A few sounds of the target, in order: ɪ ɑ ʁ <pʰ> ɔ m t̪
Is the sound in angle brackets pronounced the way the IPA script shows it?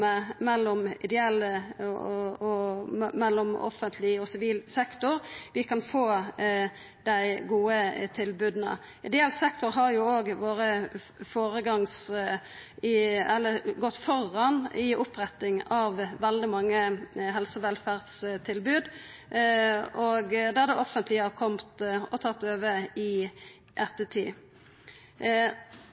no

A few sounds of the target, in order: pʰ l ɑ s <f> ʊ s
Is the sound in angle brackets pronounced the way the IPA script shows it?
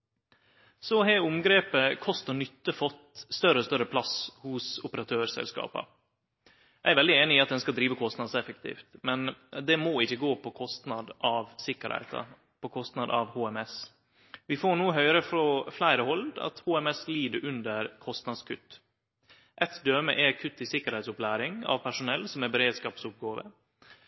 no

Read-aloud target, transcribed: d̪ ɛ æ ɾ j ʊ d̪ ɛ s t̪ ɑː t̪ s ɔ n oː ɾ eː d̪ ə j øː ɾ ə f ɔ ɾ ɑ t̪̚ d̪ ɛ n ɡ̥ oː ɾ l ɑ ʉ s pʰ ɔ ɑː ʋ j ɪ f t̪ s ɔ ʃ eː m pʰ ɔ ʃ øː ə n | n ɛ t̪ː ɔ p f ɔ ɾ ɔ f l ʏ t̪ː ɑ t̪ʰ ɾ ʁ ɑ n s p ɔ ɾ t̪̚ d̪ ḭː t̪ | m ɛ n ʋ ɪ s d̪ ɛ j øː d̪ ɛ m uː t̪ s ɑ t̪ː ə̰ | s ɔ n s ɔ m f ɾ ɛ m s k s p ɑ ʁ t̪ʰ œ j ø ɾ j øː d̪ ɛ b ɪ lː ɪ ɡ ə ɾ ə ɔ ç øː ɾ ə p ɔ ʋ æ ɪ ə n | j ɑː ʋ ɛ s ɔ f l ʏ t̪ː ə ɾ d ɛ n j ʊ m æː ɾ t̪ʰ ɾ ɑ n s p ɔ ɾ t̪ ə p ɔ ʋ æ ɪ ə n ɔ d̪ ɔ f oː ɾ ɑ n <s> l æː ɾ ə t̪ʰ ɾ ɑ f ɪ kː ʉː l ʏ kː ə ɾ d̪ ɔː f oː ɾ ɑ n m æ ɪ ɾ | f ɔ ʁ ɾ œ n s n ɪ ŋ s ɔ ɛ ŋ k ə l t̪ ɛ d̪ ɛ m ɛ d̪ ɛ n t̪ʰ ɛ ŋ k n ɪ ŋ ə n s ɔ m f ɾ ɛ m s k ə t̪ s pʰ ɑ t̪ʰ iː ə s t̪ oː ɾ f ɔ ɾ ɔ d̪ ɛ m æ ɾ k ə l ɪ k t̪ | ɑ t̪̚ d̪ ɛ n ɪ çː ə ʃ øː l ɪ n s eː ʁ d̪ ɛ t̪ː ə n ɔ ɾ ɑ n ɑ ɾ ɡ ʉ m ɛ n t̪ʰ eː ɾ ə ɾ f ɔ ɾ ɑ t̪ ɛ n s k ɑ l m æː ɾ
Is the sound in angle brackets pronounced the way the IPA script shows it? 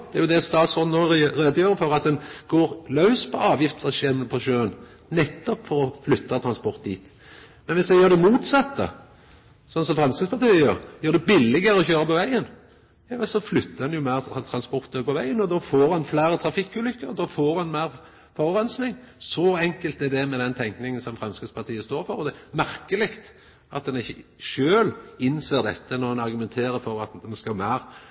no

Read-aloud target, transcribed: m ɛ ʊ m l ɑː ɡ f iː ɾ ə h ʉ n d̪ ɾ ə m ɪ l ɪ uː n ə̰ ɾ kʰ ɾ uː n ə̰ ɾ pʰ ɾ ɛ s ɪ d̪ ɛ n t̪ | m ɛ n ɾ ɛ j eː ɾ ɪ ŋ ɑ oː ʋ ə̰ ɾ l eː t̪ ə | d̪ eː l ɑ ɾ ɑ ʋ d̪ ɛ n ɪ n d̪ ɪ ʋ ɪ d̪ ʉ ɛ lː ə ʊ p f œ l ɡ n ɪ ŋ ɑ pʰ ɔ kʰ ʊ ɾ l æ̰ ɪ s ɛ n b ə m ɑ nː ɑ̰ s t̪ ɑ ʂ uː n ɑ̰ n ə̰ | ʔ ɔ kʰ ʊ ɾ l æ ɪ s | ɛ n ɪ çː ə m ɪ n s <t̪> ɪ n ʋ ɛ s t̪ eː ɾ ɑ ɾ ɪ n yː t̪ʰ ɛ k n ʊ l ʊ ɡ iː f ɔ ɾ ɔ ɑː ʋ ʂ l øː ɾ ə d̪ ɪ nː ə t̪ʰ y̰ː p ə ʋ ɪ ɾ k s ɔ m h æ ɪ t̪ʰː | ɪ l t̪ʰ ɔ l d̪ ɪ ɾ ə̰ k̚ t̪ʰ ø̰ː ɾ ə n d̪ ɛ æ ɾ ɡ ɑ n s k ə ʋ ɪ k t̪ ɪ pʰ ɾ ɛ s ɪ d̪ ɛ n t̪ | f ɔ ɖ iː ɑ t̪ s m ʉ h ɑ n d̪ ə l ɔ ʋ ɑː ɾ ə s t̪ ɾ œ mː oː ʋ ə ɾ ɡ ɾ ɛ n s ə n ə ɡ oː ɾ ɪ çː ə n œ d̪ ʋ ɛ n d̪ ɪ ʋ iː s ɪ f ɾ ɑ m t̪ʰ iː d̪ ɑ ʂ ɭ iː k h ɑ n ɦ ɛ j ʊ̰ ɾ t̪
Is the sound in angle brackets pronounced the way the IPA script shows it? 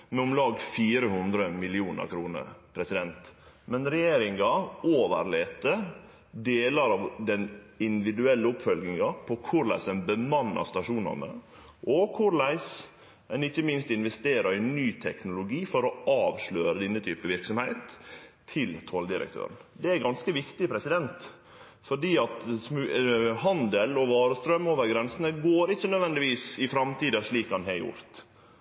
yes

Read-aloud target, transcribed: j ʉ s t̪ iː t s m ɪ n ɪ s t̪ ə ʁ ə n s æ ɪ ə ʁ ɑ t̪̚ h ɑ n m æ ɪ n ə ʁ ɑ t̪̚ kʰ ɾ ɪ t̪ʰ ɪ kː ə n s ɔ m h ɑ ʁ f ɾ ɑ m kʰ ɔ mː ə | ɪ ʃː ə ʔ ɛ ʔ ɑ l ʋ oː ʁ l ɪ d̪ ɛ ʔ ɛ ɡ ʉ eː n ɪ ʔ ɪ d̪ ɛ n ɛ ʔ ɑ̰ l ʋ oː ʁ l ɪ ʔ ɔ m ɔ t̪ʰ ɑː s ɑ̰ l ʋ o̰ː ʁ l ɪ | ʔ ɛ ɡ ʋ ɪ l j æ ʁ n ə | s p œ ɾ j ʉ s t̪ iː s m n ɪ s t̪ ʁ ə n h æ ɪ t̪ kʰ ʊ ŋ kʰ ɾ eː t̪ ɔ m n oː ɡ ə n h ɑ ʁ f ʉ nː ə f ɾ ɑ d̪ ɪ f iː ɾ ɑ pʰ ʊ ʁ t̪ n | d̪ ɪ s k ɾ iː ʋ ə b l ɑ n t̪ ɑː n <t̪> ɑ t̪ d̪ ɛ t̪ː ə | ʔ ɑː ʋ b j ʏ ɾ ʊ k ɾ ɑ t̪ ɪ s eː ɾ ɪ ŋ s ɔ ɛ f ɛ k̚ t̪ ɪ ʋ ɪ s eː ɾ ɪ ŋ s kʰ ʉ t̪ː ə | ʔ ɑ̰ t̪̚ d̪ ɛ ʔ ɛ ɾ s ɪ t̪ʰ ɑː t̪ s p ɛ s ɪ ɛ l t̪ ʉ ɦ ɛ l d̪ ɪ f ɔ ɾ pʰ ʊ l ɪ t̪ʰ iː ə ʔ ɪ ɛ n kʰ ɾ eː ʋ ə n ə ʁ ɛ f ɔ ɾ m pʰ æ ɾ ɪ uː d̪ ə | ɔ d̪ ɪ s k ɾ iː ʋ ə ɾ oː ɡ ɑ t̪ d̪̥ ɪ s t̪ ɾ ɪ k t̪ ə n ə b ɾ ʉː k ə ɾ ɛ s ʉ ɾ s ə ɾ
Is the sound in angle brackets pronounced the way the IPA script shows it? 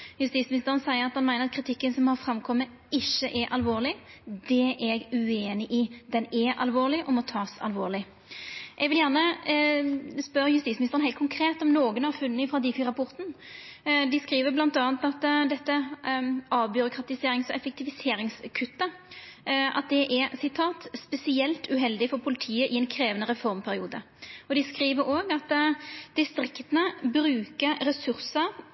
yes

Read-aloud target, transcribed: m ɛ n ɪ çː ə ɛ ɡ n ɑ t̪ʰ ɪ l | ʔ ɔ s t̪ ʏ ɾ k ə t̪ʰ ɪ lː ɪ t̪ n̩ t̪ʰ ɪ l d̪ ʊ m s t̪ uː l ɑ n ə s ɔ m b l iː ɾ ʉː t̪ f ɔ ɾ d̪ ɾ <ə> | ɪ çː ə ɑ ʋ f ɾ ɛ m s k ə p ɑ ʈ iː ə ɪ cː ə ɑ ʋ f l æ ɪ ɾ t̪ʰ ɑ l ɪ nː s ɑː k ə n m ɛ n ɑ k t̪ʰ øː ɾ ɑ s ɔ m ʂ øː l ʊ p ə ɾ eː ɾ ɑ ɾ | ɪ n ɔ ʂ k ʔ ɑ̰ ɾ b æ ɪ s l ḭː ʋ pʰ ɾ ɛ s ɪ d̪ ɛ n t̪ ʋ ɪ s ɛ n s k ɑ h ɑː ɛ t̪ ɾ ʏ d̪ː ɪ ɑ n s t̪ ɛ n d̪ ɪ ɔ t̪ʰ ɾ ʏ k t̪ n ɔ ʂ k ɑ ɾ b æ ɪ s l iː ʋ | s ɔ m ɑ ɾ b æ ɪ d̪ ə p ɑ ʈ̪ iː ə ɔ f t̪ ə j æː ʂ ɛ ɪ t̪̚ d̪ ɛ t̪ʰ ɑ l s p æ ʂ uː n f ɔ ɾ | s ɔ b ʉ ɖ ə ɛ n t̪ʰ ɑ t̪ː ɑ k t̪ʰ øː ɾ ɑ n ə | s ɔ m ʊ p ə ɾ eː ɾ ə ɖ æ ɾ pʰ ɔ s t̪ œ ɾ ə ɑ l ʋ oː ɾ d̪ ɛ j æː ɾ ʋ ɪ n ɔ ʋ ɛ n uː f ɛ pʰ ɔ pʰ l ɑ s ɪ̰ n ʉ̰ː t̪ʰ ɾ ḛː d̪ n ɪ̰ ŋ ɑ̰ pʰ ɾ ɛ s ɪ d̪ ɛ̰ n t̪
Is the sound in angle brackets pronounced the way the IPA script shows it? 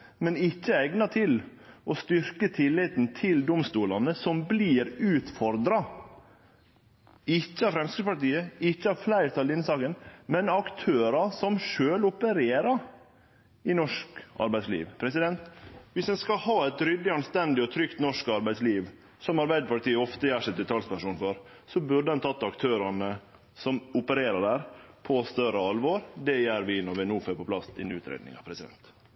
no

